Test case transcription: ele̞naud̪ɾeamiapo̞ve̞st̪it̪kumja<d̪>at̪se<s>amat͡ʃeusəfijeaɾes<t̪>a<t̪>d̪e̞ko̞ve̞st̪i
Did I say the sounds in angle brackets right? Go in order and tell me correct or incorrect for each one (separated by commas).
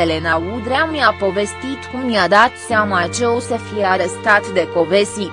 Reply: correct, incorrect, correct, correct